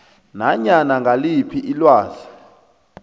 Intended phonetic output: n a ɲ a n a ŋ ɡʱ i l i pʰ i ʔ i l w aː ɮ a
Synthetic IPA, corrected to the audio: n a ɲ a n a ŋ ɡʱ a l i pʰ i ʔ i l w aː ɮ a